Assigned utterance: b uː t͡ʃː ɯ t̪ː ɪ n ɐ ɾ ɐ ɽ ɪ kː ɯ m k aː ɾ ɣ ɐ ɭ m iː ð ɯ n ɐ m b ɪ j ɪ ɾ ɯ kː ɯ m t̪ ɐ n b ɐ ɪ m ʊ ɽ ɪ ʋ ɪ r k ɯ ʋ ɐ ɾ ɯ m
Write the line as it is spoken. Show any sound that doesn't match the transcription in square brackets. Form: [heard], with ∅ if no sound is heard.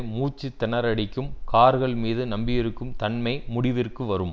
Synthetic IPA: [m] uː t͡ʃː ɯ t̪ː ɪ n ɐ ɾ ɐ ɽ ɪ kː ɯ m k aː ɾ ɣ ɐ ɭ m iː ð ɯ n ɐ m b ɪ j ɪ ɾ ɯ kː ɯ m t̪ ɐ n [m] ɐ ɪ m ʊ ɽ ɪ ʋ ɪ r k ɯ ʋ ɐ ɾ ɯ m